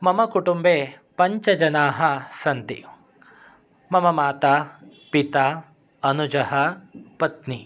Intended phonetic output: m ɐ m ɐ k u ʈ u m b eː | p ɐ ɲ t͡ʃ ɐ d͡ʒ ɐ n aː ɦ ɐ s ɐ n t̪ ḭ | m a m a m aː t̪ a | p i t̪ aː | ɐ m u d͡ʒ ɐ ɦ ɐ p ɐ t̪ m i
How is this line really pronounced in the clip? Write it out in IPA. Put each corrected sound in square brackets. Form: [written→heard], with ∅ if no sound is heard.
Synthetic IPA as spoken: m ɐ m ɐ k u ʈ u m b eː | p ɐ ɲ t͡ʃ ɐ d͡ʒ ɐ n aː ɦ ɐ s ɐ n t̪ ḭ | m [a→ɐ] m [a→ɐ] m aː t̪ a | p i t̪ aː | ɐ [m→n] u d͡ʒ ɐ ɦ ɐ p ɐ t̪ [m→n] i